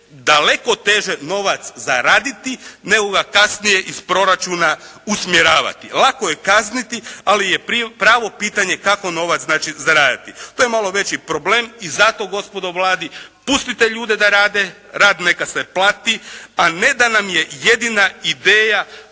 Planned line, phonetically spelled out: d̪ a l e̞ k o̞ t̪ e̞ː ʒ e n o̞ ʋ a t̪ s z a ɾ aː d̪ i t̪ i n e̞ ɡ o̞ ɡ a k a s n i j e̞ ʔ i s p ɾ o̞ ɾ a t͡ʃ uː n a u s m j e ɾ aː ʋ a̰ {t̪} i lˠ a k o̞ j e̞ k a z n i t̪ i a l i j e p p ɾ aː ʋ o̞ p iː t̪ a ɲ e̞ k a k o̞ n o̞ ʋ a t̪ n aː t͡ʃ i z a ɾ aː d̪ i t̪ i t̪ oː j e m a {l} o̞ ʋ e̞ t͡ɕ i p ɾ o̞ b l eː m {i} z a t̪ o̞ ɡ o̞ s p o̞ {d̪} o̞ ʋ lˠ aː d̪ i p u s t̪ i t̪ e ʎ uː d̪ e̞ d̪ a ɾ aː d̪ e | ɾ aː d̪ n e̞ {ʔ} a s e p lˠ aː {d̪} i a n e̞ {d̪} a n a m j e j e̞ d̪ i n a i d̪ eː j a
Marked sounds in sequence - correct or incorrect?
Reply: correct, correct, correct, correct, incorrect, incorrect, correct

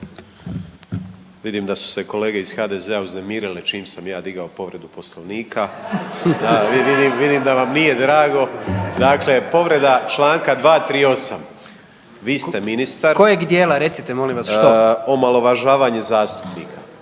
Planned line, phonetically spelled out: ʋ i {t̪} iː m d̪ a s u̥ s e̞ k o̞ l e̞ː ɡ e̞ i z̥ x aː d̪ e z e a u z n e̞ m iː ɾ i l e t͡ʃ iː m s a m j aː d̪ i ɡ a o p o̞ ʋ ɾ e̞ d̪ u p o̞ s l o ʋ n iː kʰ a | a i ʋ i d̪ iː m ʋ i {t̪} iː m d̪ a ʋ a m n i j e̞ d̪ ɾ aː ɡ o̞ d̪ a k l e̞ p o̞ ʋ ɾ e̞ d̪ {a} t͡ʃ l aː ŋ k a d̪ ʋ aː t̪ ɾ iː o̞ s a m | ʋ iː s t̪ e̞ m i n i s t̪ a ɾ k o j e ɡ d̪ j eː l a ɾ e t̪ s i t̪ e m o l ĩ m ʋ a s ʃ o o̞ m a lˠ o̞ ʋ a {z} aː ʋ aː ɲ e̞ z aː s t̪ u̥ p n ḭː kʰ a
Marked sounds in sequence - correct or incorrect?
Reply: incorrect, incorrect, correct, incorrect

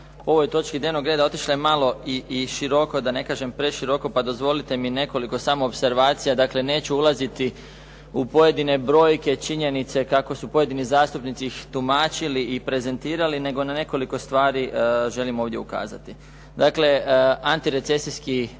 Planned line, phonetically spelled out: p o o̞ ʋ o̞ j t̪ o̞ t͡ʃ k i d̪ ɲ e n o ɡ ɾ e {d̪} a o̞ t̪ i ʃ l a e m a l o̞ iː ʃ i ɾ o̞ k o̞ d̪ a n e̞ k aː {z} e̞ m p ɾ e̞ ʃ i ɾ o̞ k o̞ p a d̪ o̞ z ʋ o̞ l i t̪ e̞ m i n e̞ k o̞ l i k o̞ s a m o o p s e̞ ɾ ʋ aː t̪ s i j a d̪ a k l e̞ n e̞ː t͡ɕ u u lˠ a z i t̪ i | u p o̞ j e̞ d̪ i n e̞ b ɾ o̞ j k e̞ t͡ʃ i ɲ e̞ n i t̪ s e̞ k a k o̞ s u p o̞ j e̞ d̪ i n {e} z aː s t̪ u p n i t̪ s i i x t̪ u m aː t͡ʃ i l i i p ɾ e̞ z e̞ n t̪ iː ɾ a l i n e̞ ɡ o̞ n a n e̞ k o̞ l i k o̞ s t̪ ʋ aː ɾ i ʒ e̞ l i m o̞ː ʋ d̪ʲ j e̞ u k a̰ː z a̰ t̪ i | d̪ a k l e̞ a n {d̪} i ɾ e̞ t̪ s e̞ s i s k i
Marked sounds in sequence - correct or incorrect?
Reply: correct, incorrect, incorrect, incorrect

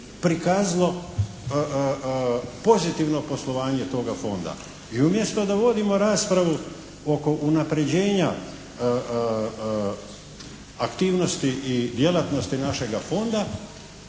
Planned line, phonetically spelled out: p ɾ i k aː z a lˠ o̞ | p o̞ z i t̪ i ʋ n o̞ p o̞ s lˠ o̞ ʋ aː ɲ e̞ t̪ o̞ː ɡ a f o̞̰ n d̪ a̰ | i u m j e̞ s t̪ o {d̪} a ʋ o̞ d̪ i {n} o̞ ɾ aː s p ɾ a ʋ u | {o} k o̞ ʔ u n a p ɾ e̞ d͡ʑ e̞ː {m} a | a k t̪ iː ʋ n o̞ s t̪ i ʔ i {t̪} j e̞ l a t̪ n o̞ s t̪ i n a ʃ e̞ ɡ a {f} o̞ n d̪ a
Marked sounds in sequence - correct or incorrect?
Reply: correct, incorrect, correct, incorrect, incorrect, correct

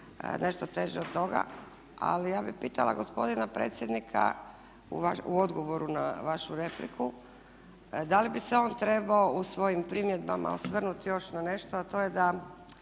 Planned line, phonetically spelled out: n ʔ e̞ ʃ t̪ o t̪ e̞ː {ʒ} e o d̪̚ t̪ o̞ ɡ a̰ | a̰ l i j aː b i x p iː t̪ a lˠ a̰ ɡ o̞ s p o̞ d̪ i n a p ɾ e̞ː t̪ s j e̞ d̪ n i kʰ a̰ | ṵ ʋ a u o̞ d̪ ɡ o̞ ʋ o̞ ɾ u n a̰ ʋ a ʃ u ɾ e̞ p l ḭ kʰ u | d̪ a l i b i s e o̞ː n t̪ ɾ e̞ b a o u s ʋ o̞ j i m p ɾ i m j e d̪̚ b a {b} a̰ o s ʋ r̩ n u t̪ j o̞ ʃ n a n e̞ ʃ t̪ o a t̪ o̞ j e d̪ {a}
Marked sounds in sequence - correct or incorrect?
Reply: correct, incorrect, correct

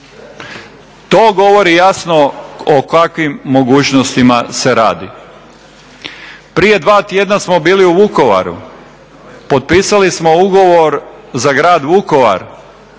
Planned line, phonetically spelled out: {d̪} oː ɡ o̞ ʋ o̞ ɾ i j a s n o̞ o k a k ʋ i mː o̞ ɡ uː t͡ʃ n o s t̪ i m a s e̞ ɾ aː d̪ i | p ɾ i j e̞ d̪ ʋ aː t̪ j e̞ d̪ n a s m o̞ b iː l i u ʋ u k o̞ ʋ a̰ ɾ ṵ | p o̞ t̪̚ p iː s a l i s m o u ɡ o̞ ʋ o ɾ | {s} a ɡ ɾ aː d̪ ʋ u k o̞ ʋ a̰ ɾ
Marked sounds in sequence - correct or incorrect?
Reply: incorrect, incorrect

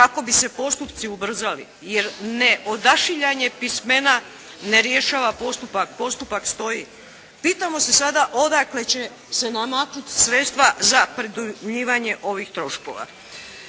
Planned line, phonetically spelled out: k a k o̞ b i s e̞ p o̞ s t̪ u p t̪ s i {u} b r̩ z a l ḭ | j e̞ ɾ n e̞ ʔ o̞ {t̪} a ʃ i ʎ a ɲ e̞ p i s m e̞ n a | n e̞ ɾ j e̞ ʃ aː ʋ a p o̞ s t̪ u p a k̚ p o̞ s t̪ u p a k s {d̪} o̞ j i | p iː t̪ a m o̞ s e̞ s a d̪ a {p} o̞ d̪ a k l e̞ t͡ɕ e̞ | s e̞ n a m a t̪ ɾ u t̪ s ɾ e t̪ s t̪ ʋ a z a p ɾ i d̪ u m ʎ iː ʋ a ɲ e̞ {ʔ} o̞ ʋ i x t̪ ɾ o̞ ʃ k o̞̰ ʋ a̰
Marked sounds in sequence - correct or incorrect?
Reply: correct, incorrect, incorrect, incorrect, correct

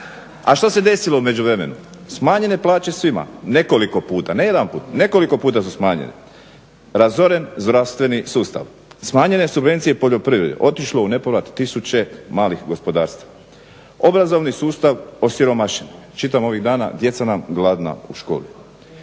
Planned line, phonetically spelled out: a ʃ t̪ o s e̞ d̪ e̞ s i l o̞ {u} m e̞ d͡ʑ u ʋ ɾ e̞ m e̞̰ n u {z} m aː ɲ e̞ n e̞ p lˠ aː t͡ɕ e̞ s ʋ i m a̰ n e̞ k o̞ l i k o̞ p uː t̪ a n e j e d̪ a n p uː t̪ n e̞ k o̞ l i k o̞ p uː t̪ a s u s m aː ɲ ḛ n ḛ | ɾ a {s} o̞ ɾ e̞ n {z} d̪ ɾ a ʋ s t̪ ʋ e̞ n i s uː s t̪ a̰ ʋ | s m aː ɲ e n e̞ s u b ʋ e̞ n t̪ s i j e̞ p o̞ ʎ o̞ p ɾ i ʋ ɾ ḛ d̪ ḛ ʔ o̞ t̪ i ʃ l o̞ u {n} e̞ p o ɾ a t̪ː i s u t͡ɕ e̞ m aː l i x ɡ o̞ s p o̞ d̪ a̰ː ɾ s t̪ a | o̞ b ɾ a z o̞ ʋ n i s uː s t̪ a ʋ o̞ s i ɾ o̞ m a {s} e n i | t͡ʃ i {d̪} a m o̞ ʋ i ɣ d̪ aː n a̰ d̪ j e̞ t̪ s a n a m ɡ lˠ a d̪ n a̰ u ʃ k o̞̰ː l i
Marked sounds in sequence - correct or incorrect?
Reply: correct, incorrect, incorrect, correct, correct, incorrect, incorrect

